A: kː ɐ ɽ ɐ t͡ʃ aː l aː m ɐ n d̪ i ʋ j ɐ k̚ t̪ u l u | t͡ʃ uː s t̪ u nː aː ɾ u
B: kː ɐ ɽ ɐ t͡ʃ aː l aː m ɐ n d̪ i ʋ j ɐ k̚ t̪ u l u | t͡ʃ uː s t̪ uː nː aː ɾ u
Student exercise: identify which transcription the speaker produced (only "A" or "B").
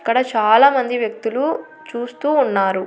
B